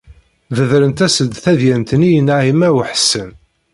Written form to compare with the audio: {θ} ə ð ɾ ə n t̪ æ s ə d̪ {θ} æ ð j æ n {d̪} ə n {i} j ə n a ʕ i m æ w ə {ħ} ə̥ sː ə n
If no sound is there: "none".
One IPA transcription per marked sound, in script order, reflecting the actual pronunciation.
ð, θ, t̪, i, ħ

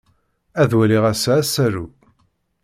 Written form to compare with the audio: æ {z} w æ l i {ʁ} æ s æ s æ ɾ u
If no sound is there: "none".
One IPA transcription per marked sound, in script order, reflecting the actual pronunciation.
ð, ʁ

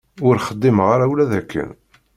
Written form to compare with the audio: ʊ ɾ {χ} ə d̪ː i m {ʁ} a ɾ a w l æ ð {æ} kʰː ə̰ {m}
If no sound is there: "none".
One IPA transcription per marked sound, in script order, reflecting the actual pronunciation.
χ, ʁ, æ, n

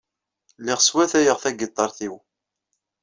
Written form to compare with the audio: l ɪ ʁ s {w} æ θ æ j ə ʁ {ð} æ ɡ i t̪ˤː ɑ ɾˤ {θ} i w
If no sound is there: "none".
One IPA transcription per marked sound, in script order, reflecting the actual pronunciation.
w, θ, θ

